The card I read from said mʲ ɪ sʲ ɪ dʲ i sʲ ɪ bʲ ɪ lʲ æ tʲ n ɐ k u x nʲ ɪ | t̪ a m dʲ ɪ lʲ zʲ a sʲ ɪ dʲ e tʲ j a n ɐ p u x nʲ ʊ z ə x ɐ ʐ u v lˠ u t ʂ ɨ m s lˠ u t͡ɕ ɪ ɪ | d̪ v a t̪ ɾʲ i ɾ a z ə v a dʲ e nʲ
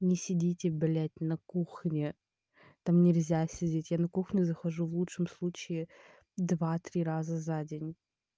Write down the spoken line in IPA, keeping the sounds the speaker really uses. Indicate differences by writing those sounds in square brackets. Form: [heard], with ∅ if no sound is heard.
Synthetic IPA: [nʲ] ɪ sʲ ɪ dʲ i [tʲ] ɪ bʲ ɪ lʲ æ tʲ n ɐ k u x nʲ ɪ | t̪ a m [nʲ] ɪ lʲ zʲ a sʲ ɪ dʲ e tʲ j a n ɐ [k] u x nʲ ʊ z ə x ɐ ʐ u v lˠ u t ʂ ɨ m s lˠ u t͡ɕ ɪ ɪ | d̪ v a t̪ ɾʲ i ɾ a z ə [z] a dʲ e nʲ